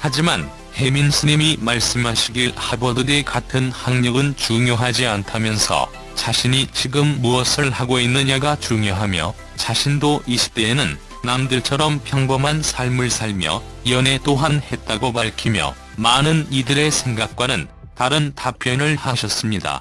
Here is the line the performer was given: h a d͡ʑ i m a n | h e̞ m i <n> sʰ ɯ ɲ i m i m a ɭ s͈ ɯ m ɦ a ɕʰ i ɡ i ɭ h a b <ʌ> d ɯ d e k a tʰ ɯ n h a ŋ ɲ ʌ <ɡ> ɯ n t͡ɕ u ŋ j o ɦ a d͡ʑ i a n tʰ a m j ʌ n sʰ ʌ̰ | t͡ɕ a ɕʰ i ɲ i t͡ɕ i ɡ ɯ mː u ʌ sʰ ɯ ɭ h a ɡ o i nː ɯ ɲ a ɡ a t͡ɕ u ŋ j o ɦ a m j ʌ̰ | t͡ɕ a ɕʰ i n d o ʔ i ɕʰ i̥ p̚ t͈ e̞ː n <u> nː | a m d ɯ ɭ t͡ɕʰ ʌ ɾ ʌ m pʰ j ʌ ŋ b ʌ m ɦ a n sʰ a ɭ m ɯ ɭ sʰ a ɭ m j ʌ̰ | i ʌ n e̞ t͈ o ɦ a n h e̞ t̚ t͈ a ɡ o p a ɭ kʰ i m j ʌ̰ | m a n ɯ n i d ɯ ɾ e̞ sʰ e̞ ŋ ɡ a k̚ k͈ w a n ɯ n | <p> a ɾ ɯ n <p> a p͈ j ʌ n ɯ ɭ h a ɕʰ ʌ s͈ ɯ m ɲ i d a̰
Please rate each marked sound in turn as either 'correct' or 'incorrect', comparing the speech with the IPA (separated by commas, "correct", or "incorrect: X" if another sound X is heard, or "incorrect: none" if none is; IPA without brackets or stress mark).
correct, correct, correct, incorrect: ɯ, incorrect: t, incorrect: t